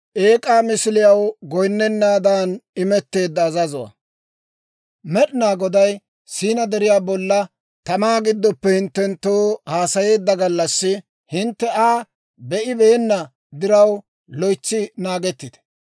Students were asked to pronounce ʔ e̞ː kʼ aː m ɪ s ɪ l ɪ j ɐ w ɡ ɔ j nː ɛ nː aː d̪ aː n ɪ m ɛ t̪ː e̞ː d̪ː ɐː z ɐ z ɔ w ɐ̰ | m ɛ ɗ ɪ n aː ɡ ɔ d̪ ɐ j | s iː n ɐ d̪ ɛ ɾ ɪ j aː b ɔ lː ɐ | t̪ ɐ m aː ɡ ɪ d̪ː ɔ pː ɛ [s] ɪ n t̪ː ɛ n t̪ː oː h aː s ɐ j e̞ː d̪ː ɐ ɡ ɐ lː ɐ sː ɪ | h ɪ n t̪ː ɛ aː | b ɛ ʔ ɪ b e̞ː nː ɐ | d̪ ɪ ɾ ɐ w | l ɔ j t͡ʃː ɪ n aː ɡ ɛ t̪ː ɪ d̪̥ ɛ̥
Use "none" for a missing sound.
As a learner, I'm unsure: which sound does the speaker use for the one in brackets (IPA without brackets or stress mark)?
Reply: h